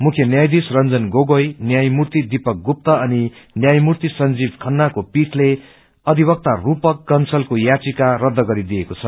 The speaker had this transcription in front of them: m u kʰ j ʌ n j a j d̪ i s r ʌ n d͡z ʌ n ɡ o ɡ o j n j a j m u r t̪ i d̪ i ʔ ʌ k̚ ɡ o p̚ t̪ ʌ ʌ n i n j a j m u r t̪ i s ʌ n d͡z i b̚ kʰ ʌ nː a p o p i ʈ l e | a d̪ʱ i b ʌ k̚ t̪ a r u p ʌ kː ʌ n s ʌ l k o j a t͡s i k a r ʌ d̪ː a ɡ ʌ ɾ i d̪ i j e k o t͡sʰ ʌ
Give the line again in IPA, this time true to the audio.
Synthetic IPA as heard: m u kʰ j ʌ n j a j d̪ i s r ʌ n d͡z ʌ n ɡ o ɡ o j n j a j m u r t̪ i d̪ i p ʌ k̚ ɡ u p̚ t̪ ʌ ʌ n i n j a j m u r t̪ i s ʌ n d͡z i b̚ kʰ ʌ nː a k o p i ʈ l e | ʌ d̪ʱ i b ʌ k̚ t̪ a r u p ʌ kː ʌ n s ʌ l k o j a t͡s i k a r ʌ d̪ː ʌ ɡ ʌ ɾ i d̪ i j e k o t͡sʰ ʌ

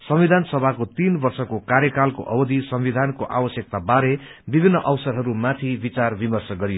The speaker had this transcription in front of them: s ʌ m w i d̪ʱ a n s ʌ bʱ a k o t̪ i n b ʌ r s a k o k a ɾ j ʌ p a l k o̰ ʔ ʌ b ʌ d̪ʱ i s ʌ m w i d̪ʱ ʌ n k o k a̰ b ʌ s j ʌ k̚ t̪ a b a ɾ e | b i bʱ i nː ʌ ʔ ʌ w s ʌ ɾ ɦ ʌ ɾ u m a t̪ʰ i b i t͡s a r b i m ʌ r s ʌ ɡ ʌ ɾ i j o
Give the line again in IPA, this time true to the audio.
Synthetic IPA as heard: s ʌ m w i d̪ʱ a n s ʌ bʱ a k o t̪ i n b ʌ r s ʌ k o k a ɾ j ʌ k a l k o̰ ʔ ʌ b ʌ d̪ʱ i s ʌ m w i d̪ʱ a n k o ʔ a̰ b ʌ s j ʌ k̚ t̪ a b a ɾ e | b i bʱ i nː ʌ ʔ ʌ w s ʌ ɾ ɦ ʌ ɾ u m a t̪ʰ i b i t͡s a r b i m ʌ r s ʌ ɡ ʌ ɾ i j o

